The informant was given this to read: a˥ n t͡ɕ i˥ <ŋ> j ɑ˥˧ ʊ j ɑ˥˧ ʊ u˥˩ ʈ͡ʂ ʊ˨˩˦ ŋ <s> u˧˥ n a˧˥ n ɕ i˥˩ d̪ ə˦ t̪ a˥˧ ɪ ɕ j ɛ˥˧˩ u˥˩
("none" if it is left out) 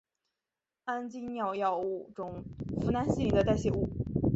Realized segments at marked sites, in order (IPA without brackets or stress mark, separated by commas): n, f